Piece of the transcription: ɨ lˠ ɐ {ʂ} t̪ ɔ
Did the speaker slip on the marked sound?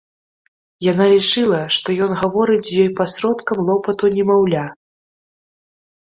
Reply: no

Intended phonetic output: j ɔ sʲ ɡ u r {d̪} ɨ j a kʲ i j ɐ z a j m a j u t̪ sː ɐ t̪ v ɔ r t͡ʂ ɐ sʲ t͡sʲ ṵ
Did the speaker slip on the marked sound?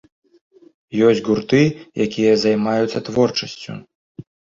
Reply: yes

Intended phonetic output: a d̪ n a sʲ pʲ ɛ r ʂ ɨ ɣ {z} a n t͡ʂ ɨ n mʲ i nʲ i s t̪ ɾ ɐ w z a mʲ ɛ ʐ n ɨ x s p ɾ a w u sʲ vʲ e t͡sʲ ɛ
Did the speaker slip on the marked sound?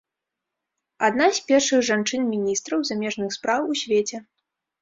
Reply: yes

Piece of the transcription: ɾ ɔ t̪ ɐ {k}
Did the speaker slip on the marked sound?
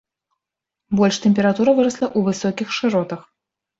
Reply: yes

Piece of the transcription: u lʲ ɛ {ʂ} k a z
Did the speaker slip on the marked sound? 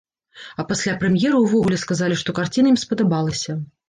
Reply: yes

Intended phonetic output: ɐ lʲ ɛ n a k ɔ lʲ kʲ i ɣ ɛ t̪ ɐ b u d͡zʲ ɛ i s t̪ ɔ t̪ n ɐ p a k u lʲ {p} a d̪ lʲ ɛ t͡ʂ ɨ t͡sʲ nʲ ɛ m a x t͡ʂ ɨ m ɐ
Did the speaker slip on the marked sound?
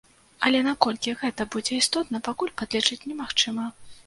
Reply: no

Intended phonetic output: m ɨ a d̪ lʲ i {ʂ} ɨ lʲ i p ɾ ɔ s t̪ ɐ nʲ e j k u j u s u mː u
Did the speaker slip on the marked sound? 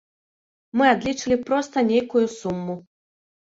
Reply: yes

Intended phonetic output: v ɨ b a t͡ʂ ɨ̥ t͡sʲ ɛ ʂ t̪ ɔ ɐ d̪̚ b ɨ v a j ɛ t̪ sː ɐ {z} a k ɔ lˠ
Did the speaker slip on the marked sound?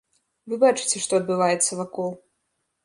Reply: yes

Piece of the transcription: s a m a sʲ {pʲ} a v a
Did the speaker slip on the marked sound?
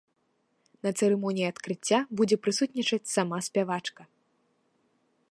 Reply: no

